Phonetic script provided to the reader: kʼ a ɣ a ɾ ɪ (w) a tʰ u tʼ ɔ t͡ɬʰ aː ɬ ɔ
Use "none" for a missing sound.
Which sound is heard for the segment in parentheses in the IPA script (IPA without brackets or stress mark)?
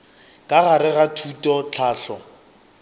ɣ